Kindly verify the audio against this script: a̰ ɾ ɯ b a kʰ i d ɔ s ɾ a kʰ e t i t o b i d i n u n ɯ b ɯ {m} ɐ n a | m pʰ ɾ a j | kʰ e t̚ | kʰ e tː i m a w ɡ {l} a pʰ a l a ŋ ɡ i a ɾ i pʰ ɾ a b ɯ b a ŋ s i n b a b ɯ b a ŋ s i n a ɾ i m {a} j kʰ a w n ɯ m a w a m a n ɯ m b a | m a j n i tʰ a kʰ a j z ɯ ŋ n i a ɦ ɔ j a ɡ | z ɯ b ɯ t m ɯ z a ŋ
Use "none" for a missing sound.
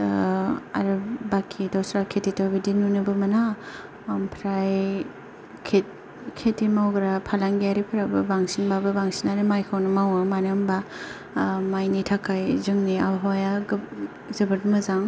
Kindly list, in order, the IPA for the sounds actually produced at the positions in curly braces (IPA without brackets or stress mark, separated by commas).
m, ɾ, a